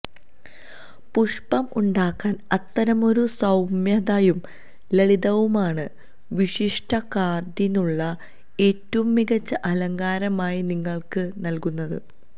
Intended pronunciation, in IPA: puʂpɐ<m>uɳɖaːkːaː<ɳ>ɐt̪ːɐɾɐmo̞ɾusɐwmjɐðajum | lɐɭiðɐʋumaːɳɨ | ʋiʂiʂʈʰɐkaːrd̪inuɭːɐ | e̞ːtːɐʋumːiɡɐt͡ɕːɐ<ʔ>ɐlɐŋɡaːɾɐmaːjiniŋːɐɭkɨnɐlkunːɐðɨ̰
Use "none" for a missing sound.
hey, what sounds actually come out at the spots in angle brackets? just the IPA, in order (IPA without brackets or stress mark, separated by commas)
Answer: m, n, ʔ